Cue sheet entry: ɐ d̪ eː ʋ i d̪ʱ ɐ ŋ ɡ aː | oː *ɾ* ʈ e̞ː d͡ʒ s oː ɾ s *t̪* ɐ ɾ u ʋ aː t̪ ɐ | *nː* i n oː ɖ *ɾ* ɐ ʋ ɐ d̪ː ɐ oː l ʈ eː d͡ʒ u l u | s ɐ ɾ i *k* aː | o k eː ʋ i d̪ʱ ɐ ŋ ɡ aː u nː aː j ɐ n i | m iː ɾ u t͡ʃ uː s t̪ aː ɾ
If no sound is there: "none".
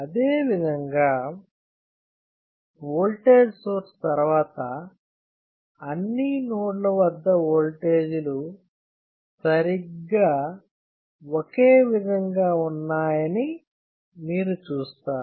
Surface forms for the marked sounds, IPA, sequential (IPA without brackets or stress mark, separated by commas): l, t̪, nː, l, ɡ